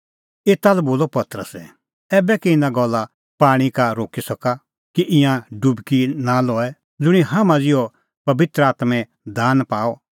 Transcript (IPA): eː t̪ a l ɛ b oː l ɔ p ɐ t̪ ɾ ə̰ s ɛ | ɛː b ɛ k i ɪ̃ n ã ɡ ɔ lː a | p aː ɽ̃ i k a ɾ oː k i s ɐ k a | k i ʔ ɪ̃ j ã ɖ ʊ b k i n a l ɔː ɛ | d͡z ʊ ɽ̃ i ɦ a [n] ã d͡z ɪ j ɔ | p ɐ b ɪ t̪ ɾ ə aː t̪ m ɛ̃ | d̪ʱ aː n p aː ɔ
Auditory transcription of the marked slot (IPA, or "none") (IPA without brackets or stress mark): m